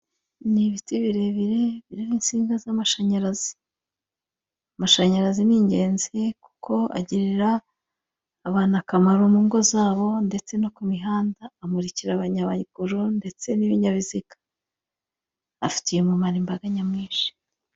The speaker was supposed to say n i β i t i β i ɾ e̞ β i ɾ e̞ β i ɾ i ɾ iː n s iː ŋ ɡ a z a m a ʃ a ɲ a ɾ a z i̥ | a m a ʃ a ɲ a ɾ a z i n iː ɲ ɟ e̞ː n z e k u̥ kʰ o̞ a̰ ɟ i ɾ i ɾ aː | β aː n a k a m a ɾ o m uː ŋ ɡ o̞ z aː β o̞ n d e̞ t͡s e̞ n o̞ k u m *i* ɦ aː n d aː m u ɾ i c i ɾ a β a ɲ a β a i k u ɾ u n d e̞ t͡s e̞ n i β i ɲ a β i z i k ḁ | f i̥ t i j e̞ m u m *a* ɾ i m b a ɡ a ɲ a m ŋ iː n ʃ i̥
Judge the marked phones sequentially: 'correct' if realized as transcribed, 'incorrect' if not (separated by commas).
correct, correct